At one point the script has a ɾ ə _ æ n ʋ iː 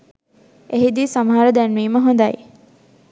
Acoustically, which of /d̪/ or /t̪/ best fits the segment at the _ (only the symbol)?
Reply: d̪